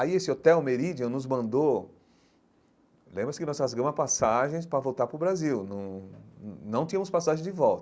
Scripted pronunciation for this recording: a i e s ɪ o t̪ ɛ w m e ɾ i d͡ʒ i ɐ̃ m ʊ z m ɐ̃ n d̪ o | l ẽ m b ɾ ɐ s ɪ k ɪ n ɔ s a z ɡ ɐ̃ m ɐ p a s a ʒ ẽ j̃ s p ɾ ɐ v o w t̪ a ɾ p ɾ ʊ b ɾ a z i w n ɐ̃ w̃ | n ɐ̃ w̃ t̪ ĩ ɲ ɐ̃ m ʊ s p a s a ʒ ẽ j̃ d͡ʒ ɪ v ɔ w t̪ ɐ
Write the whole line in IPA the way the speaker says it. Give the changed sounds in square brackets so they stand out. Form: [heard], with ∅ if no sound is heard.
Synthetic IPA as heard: a i e s ɪ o t̪ ɛ w m e ɾ i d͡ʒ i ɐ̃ [n] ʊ z m ɐ̃ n d̪ o | l ẽ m b ɾ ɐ s ɪ k ɪ n ɔ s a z ɡ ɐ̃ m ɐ p a s a ʒ ẽ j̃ s p ɾ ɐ v o w t̪ a ɾ p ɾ ʊ b ɾ a z i w n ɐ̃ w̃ | n ɐ̃ w̃ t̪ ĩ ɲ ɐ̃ m ʊ s p a s a ʒ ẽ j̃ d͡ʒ ɪ v ɔ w t̪ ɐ